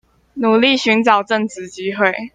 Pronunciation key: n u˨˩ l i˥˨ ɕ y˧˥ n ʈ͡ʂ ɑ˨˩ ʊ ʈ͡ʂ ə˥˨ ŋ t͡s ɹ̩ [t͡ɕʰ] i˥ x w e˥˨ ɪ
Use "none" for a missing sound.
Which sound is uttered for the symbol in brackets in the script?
t͡ɕ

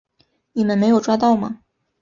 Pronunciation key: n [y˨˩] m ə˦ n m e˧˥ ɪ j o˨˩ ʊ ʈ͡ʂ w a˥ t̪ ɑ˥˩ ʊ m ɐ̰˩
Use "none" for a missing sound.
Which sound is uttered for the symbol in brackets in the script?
i˨˩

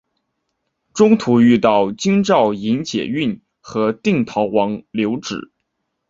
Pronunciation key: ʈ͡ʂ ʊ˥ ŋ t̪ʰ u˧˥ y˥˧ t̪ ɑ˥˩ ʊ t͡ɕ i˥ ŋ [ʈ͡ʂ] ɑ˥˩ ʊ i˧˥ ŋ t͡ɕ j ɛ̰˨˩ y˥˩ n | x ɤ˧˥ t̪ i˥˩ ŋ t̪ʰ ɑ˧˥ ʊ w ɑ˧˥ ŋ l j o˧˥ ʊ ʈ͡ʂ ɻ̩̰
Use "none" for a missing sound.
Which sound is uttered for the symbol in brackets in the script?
ʈ͡ʂ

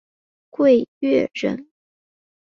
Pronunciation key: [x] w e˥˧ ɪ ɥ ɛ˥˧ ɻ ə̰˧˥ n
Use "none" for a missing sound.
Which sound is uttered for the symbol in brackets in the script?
k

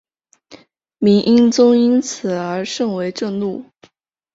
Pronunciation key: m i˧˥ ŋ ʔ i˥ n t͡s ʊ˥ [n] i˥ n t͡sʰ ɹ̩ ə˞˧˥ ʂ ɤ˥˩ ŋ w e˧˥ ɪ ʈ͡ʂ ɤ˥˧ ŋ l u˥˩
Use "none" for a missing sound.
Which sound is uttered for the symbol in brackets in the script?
ŋ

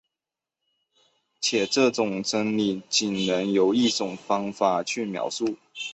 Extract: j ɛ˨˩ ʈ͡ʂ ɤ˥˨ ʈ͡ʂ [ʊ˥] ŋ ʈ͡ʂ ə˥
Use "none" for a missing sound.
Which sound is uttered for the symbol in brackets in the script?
ʊ˨˩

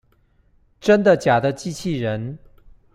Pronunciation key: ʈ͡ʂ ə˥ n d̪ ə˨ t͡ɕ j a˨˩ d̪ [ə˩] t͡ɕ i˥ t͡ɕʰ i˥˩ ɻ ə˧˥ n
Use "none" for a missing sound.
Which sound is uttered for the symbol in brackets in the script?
ə˦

